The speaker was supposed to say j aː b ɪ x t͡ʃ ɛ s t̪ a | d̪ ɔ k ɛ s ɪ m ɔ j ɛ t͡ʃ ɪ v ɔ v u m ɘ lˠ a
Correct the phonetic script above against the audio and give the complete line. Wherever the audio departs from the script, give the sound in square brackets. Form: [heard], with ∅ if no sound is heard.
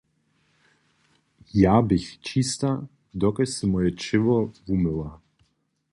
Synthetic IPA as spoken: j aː b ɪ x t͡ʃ [i] s t̪ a | d̪ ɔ k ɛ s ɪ m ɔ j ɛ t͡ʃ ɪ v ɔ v u m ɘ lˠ a

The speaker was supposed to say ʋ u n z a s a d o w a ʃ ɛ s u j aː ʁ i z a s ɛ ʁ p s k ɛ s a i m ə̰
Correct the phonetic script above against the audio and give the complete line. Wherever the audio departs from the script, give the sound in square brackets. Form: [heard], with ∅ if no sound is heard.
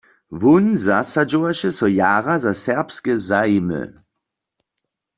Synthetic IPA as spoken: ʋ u n z a s a [d͡ʒ] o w a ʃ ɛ s [ɔ] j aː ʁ [a] z a s ɛ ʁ p s k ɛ [z] a i m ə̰

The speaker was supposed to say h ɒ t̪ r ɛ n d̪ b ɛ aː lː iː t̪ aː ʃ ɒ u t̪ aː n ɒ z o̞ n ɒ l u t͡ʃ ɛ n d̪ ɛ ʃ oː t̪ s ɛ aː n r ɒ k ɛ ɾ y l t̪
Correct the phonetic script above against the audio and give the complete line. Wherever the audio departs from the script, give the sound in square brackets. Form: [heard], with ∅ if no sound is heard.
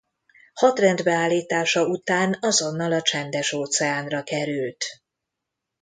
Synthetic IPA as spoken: h ɒ t̪ r ɛ n d̪ b ɛ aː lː iː t̪ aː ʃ ɒ u t̪ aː n ɒ z o̞ [nː] ɒ l [ɒ] t͡ʃ ɛ n d̪ ɛ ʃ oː t̪ s ɛ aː n r ɒ k ɛ ɾ y l t̪

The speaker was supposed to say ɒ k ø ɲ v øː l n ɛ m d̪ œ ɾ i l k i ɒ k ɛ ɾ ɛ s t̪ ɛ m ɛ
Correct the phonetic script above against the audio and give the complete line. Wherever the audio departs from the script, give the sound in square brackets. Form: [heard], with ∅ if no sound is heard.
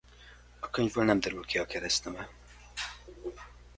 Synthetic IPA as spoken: ɒ k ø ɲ v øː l n ɛ m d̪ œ ɾ [y] l k i ɒ k ɛ ɾ ɛ s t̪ ɛ m ɛ

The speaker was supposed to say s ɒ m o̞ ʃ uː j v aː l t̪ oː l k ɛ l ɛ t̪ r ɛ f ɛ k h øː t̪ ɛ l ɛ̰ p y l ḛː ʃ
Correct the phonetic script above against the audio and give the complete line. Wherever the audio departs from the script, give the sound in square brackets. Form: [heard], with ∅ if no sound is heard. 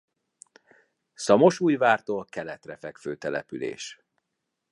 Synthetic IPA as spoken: s ɒ m o̞ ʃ uː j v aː [r] t̪ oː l k ɛ l ɛ t̪ r ɛ f ɛ k [f] øː t̪ ɛ l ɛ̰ p y l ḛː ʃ

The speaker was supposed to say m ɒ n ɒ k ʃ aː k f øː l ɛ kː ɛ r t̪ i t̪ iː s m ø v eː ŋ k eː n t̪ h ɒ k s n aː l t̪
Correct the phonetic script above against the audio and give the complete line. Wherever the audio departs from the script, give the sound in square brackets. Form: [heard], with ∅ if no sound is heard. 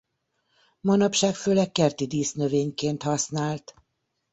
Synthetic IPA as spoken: m ɒ n ɒ [p] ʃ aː k f øː l ɛ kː ɛ r t̪ i [d̪] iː s [n] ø v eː [ɲ] k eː n t̪ h ɒ [∅] s n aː l t̪

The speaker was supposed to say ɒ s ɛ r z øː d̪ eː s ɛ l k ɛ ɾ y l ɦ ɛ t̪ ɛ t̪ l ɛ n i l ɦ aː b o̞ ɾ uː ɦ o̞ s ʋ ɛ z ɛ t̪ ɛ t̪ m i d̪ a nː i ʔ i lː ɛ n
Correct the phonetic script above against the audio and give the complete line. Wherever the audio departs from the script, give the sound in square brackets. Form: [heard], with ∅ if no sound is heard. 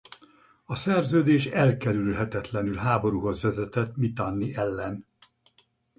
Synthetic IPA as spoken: ɒ s ɛ r z øː d̪ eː [ʃ] ɛ l k ɛ ɾ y l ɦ ɛ t̪ ɛ t̪ l ɛ n [y] l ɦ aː b o̞ ɾ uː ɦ o̞ [z] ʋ ɛ z ɛ t̪ ɛ t̪ m i [t̪] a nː i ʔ [ɛ] lː ɛ n

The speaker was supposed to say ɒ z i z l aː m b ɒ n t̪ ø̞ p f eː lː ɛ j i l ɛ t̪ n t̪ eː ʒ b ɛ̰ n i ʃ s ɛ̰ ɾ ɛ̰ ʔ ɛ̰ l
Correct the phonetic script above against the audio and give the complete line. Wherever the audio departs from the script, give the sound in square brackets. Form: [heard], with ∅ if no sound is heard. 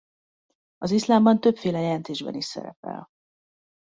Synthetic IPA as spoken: ɒ z i [s] l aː m b ɒ n t̪ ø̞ p f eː [l] ɛ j [ɛ] l ɛ [∅] n t̪ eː ʒ b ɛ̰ n i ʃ s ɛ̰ ɾ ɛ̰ [p] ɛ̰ l

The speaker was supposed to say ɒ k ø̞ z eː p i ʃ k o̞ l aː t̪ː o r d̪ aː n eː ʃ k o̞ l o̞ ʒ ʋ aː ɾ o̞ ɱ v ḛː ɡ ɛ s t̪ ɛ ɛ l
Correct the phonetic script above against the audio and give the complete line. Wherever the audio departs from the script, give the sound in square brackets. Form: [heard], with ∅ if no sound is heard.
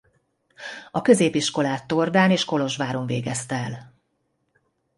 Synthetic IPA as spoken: ɒ k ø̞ z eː p i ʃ k o̞ l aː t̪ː o r d̪ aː n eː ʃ k o̞ l o̞ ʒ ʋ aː ɾ o̞ ɱ v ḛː ɡ ɛ s t̪ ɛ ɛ l

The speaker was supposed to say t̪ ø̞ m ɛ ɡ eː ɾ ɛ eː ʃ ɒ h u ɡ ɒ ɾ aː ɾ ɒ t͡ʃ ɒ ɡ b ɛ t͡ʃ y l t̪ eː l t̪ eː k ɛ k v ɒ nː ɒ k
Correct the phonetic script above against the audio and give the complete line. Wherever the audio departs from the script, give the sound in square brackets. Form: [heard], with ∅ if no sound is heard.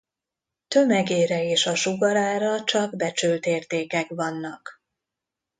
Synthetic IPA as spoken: t̪ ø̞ m ɛ ɡ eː ɾ ɛ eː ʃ ɒ [ʃ] u ɡ ɒ ɾ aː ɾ ɒ t͡ʃ ɒ ɡ b ɛ t͡ʃ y l t̪ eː [r] t̪ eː k ɛ k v ɒ nː ɒ k

